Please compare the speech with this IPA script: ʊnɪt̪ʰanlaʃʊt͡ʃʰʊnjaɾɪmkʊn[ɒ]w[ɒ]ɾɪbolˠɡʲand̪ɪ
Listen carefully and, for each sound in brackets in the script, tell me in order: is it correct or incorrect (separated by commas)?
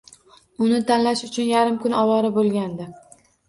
correct, correct